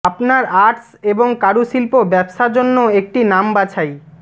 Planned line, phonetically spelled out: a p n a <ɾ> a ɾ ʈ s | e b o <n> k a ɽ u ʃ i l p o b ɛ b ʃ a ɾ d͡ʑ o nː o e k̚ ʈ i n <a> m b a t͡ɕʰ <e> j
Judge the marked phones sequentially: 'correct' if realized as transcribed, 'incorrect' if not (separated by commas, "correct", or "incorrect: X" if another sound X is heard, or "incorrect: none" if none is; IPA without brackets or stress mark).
correct, incorrect: ŋ, correct, incorrect: a